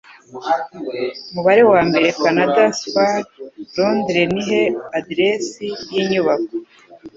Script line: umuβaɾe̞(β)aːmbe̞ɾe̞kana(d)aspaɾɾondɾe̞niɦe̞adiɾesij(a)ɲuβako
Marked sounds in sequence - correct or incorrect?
incorrect: w, correct, incorrect: i

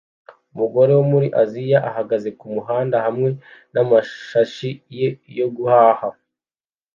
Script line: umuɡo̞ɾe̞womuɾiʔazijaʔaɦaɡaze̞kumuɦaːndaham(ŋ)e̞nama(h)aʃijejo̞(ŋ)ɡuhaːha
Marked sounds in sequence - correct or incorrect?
correct, incorrect: ʃ, incorrect: none

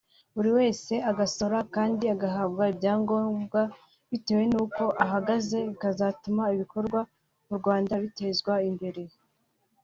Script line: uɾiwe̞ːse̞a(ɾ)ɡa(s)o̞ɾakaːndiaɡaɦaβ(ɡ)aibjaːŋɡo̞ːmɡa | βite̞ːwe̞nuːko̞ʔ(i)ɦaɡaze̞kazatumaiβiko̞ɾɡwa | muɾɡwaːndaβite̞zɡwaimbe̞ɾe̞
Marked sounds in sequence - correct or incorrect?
incorrect: none, correct, correct, incorrect: a

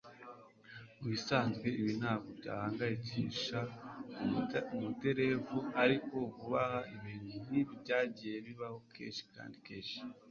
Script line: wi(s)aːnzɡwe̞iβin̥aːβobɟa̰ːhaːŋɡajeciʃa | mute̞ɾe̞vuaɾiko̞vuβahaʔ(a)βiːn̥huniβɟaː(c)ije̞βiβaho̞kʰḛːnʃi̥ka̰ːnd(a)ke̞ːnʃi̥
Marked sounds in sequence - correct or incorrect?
correct, incorrect: i, incorrect: ɟ, incorrect: i

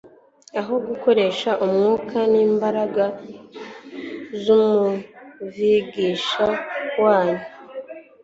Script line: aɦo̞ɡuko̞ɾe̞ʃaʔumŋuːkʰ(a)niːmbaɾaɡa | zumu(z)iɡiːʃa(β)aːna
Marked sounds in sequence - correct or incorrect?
correct, incorrect: v, incorrect: w

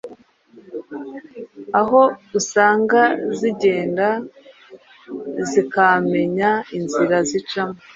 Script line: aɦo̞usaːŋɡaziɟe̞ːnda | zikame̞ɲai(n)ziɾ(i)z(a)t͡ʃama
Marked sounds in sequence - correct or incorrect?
correct, incorrect: a, incorrect: i

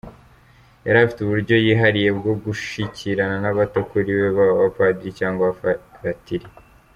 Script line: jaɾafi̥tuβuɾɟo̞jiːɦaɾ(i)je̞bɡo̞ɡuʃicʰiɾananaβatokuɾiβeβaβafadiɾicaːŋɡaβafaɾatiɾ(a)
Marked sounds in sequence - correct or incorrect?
correct, incorrect: i

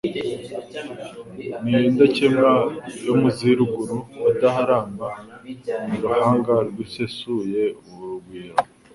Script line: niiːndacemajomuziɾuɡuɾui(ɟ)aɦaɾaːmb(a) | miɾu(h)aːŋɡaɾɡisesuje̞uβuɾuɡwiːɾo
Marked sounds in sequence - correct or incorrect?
incorrect: d, correct, correct

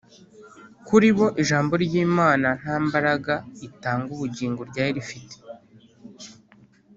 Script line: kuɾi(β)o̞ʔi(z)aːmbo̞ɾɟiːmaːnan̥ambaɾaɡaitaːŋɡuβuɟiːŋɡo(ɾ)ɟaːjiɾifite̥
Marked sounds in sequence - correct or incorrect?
correct, incorrect: ʒ, correct

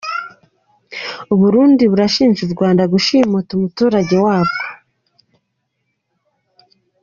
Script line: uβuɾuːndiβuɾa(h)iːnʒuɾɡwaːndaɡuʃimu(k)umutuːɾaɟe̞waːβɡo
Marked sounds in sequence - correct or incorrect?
incorrect: ʃ, incorrect: t

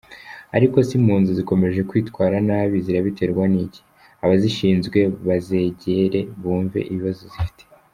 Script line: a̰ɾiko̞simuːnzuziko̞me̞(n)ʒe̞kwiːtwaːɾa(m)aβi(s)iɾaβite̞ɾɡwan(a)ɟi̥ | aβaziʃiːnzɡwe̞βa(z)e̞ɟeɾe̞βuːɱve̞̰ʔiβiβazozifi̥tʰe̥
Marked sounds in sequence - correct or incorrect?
incorrect: none, incorrect: n, incorrect: z, incorrect: i, correct

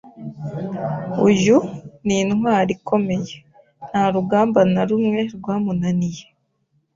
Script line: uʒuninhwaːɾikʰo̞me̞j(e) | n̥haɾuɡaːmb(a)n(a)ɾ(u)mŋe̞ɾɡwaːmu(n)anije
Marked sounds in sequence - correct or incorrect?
correct, correct, correct, correct, correct

